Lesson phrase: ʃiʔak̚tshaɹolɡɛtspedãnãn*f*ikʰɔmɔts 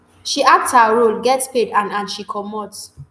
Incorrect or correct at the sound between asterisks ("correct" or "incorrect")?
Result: incorrect